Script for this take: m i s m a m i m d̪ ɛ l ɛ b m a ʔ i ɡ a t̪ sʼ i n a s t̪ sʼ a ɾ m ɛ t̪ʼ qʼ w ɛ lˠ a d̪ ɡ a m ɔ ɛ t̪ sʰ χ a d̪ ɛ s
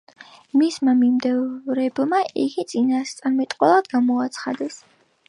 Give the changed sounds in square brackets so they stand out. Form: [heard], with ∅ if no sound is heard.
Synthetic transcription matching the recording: m i s m a m i m d̪ ɛ [ɾ] ɛ b m a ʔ i ɡ [i] t̪ sʼ i n a s t̪ sʼ a ɾ m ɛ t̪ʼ qʼ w ɛ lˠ a d̪ ɡ a m ɔ [a] t̪ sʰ χ a d̪ ɛ s

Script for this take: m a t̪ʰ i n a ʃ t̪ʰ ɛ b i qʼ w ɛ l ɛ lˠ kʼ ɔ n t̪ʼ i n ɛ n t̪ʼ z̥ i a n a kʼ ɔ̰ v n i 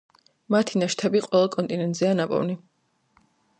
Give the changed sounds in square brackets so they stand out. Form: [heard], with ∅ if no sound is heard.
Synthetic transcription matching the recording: m a t̪ʰ i n a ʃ t̪ʰ ɛ b i qʼ w ɛ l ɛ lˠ kʼ ɔ n t̪ʼ i n ɛ n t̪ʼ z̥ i a n a [pʼ] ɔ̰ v n i

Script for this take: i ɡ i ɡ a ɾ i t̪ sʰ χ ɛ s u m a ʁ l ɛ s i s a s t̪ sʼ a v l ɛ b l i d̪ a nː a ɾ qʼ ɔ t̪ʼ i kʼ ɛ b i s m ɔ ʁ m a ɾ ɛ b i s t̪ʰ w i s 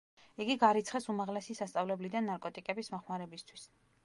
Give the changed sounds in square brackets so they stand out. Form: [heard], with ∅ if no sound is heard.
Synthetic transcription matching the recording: i ɡ i ɡ a ɾ i t̪ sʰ χ ɛ s u m a ʁ l ɛ s i s a s t̪ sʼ a v l ɛ b l i d̪ a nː a ɾ [kʼ] ɔ t̪ʼ i kʼ ɛ b i s m ɔ [χ] m a ɾ ɛ b i s t̪ʰ w i s

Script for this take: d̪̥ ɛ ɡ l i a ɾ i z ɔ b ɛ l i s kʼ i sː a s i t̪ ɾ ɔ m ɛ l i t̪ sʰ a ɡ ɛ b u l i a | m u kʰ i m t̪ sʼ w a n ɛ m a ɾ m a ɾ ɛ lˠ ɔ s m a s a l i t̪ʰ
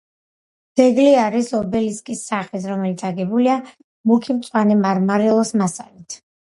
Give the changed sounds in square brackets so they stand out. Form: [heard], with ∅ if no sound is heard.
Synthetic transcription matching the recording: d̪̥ ɛ ɡ l i a ɾ i [s] ɔ b ɛ l i s kʼ i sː a [χ] i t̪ ɾ ɔ m ɛ l i t̪ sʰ a ɡ ɛ b u l i a | m u kʰ i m t̪ sʼ w a n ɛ m a ɾ m a ɾ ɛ lˠ ɔ s m a s a l i t̪ʰ

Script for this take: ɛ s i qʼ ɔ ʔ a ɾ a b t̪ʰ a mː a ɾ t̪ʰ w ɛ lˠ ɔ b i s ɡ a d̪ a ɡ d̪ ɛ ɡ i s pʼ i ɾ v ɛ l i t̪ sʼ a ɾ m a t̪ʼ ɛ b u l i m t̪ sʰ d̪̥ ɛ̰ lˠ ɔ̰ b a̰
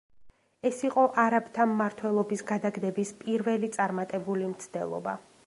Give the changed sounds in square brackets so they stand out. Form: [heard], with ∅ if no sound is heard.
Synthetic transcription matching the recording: ɛ s i qʼ ɔ ʔ a ɾ a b t̪ʰ a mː a ɾ t̪ʰ w ɛ lˠ ɔ b i s ɡ a d̪ a ɡ d̪ ɛ [b] i s pʼ i ɾ v ɛ l i t̪ sʼ a ɾ m a t̪ʼ ɛ b u l i m t̪ sʰ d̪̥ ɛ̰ lˠ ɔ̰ b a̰

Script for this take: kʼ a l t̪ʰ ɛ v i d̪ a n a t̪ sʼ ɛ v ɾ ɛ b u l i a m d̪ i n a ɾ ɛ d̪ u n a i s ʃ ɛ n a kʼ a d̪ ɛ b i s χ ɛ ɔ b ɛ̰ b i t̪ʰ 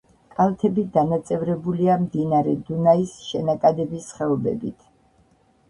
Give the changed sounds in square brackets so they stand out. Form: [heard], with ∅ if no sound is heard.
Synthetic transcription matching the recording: kʼ a l t̪ʰ ɛ [b] i d̪ a n a t̪ sʼ ɛ v ɾ ɛ b u l i a m d̪ i n a ɾ ɛ d̪ u n a i s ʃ ɛ n a kʼ a d̪ ɛ b i s χ ɛ ɔ b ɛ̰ b i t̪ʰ

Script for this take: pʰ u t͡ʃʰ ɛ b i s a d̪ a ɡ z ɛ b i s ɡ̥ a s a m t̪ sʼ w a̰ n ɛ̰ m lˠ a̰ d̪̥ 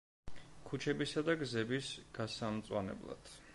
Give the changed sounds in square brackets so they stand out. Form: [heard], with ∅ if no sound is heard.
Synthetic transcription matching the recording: [kʰ] u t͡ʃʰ ɛ b i s a d̪ a ɡ z ɛ b i s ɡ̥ a s a m t̪ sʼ w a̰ n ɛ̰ [b] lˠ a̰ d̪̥

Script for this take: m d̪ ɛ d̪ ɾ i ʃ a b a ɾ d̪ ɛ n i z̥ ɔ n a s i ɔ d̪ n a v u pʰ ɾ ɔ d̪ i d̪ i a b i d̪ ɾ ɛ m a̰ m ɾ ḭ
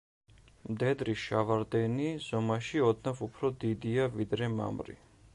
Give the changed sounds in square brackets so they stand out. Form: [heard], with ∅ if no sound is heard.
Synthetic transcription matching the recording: m d̪ ɛ d̪ ɾ i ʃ a [v] a ɾ d̪ ɛ n i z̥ ɔ [m] a [ʃ] i ɔ d̪ n a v u pʰ ɾ ɔ d̪ i d̪ i a [v] i d̪ ɾ ɛ m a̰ m ɾ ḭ

